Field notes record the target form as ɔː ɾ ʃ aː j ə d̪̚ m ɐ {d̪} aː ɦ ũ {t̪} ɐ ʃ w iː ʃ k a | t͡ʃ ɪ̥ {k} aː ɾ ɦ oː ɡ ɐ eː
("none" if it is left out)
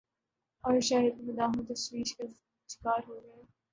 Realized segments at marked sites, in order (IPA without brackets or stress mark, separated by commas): d̪, t̪, k